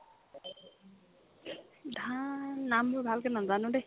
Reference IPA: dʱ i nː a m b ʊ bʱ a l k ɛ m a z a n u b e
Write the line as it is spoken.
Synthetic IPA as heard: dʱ a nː a m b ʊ bʱ a l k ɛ n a z a n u d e